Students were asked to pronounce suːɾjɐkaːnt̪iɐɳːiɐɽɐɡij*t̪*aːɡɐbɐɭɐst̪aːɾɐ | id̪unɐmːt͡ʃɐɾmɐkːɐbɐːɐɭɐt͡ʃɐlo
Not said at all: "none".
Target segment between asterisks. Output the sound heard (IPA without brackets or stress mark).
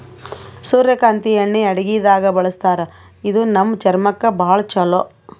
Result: d̪